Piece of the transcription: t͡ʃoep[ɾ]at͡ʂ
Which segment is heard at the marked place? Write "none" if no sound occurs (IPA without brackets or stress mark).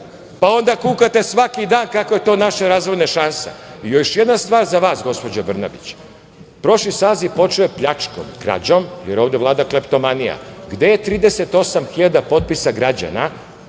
ʎ